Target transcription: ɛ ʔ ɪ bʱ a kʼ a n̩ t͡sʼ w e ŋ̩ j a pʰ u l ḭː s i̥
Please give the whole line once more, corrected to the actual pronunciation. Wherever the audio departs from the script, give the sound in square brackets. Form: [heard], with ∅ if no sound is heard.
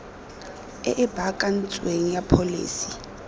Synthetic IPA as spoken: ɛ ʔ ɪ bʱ a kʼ a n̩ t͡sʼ w e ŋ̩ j a pʰ [o] l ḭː s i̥